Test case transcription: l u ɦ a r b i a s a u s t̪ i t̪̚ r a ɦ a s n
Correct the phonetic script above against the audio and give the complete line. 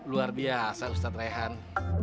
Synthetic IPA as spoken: l u a r b i a s a u s t̪ a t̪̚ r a ɦ a n